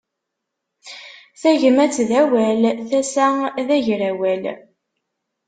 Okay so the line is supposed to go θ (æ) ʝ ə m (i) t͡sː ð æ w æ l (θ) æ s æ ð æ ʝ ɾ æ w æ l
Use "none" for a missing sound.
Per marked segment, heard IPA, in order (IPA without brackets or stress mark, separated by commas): æ, æ, θ